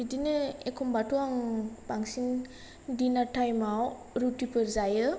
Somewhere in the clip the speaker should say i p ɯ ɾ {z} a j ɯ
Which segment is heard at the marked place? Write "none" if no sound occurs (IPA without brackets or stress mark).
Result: z